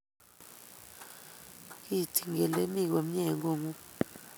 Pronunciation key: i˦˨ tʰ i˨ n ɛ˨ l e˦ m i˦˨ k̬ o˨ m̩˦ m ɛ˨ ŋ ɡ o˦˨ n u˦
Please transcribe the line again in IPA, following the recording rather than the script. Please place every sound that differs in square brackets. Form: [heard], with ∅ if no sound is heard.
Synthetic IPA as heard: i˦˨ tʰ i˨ [ŋ] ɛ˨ l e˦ m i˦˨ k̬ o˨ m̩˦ [ɲ] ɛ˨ ŋ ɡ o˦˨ [ŋ] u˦